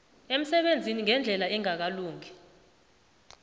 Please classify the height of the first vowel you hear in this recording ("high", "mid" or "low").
mid